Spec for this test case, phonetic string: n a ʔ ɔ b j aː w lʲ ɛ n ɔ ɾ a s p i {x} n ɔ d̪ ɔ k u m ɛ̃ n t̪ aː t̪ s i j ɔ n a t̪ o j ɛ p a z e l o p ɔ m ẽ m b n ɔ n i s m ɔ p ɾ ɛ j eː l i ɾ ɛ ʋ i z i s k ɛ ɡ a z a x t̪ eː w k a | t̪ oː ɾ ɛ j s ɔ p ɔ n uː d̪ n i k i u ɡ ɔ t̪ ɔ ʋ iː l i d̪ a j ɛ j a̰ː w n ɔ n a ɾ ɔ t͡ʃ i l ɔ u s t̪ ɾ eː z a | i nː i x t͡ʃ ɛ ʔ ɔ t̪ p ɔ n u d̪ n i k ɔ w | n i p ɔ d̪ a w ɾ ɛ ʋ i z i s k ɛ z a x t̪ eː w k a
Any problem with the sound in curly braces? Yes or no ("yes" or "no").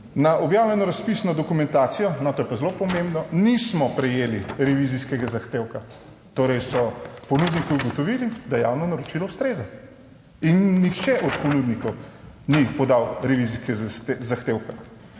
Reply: yes